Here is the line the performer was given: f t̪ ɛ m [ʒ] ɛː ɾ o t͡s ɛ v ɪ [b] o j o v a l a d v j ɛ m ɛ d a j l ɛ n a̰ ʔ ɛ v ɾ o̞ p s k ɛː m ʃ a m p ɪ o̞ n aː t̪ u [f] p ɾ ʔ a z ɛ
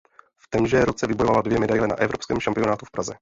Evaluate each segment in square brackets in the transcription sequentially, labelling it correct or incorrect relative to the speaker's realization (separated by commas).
correct, correct, correct